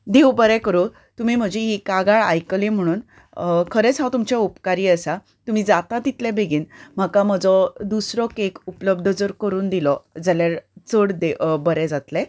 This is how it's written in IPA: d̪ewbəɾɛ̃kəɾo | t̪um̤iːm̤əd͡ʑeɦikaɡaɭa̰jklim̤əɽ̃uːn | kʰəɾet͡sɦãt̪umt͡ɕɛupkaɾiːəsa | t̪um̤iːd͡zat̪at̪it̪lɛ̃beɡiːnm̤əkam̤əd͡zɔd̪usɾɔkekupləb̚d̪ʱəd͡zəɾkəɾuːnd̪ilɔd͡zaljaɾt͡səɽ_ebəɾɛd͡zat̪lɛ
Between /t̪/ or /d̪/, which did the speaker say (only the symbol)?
d̪